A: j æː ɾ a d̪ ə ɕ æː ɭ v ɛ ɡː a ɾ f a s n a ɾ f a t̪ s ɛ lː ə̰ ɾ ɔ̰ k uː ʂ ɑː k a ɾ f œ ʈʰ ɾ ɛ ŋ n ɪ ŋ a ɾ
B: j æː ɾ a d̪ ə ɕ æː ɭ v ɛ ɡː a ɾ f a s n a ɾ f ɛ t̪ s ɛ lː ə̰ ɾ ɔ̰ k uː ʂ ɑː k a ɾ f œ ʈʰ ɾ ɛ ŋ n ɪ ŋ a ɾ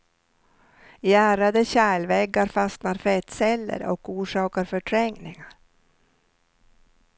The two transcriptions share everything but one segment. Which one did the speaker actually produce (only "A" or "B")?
B